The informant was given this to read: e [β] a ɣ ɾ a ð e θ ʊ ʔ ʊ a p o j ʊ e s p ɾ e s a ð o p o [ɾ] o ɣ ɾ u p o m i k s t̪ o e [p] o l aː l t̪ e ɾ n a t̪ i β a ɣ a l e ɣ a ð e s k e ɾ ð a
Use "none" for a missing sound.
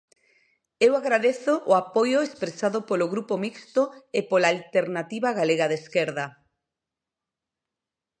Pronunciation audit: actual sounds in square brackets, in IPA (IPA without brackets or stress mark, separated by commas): w, l, p